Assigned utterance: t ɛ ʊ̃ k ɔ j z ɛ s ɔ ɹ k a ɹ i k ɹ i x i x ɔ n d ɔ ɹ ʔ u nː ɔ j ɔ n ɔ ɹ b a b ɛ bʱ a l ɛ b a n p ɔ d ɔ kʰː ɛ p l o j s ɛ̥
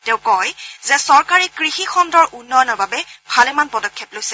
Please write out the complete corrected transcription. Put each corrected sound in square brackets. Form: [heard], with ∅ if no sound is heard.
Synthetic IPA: t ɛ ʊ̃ k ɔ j z ɛ s ɔ ɹ k a ɹ i k ɹ i x i x ɔ n d ɔ ɹ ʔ u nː ɔ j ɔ n ɔ ɹ b a b ɛ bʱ a l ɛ [m] a n p ɔ d ɔ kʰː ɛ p l o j s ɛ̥